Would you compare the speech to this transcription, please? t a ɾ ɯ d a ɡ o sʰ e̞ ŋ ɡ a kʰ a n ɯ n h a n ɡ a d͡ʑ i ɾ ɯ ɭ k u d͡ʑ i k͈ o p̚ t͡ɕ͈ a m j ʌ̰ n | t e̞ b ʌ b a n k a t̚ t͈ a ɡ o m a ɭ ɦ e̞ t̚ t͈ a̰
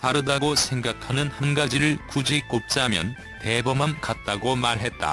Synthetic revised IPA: t a ɾ ɯ d a ɡ o sʰ e̞ ŋ ɡ a kʰ a n ɯ n h a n ɡ a d͡ʑ i ɾ ɯ ɭ k u d͡ʑ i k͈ o p̚ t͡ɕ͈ a m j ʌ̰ n | t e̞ b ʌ m a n k a t̚ t͈ a ɡ o m a ɭ ɦ e̞ t̚ t͈ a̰